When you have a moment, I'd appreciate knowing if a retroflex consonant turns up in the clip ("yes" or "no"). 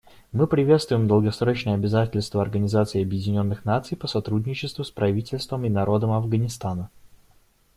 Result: no